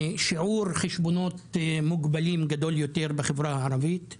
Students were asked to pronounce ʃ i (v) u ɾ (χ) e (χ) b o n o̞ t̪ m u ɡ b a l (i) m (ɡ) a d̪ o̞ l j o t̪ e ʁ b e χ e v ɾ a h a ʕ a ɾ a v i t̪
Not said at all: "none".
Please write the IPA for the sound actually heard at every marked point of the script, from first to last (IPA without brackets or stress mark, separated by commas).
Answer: ʕ, χ, ʃ, i, ɡ